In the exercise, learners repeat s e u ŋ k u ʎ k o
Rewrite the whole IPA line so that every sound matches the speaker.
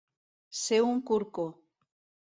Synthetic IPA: s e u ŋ k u ɾ k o